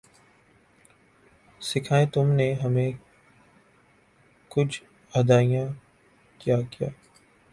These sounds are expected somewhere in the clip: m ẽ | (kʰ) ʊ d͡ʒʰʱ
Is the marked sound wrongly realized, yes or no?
yes